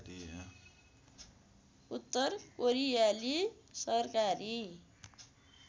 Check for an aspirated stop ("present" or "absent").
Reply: absent